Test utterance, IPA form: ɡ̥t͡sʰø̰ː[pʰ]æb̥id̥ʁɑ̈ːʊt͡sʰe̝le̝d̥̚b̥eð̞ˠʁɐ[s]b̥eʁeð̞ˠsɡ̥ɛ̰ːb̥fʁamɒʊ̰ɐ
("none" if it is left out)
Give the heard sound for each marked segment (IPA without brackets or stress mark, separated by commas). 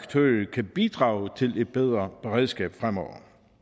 kʰ, none